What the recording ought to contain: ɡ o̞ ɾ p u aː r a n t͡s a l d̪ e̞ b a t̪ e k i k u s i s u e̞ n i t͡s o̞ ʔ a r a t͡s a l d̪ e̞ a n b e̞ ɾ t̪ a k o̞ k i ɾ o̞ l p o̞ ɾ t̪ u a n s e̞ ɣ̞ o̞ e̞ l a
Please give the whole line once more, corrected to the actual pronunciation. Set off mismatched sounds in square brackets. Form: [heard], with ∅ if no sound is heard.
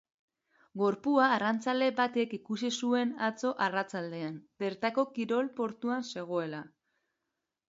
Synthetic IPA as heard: ɡ o̞ ɾ p u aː r a n t͡s a l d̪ e̞ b a t̪ e k i k u s i s u e̞ n [a] t͡s o̞ ʔ a r a t͡s a l d̪ e̞ a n b e̞ ɾ t̪ a k o̞ k i ɾ o̞ l p o̞ ɾ t̪ u a n s e̞ ɣ̞ o̞ e̞ l a